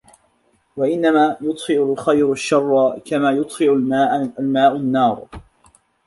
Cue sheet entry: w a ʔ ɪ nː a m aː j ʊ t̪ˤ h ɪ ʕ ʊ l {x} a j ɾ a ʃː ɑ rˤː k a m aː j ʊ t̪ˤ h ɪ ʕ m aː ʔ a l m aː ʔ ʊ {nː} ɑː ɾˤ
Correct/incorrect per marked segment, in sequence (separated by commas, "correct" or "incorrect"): correct, correct